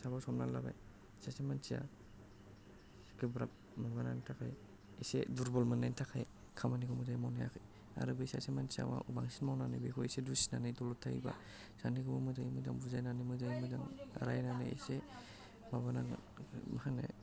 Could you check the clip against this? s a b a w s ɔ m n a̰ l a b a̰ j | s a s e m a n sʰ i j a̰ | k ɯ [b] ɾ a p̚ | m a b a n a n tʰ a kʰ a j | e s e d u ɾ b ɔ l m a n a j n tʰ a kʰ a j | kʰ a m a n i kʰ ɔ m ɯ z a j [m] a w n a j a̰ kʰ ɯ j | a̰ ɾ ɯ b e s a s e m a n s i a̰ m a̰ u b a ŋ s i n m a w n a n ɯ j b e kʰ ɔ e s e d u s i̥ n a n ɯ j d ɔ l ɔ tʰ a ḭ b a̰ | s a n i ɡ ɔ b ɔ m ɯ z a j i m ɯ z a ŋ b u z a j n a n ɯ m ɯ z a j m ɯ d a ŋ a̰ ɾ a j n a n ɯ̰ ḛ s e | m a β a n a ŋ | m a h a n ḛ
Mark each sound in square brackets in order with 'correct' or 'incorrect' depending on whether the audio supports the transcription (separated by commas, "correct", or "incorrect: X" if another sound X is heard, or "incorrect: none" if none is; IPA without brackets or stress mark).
correct, correct